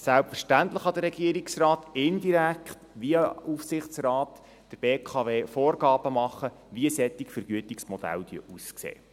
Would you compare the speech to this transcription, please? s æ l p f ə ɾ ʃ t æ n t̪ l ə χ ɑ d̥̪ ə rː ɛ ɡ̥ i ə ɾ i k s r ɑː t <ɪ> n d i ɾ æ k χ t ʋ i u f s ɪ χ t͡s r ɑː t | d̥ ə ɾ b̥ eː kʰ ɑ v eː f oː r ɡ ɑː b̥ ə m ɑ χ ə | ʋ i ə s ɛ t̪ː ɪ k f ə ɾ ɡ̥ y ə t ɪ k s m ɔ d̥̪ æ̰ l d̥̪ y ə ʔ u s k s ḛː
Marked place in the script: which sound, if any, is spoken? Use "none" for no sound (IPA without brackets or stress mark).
ɪ